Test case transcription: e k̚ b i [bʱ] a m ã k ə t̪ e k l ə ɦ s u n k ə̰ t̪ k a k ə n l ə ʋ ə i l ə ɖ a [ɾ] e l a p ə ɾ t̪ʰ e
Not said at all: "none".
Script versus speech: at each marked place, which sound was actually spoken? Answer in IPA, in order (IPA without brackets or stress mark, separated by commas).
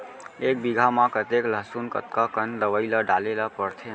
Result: ɡʱ, l